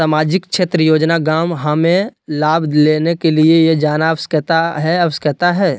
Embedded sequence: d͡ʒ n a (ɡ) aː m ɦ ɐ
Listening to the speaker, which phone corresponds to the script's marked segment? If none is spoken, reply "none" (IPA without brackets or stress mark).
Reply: ɡ